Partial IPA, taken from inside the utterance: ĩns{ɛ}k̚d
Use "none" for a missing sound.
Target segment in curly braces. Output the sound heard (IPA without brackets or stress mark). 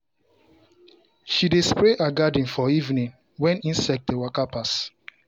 ɛ